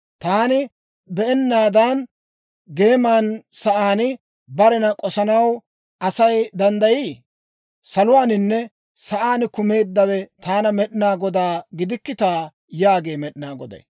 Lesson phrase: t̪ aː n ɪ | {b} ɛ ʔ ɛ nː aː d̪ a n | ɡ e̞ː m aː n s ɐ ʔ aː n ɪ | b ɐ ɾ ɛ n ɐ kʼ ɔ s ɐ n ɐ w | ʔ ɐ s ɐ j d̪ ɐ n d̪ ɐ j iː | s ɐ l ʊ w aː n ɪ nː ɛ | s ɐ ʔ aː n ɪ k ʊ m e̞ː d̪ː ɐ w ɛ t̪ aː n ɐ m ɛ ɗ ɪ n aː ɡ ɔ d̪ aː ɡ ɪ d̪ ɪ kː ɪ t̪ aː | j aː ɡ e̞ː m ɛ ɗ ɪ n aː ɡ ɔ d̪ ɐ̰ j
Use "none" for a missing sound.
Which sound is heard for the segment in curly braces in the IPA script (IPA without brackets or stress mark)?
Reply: b